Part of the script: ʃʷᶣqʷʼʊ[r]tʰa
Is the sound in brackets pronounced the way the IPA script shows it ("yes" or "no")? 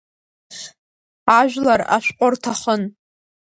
yes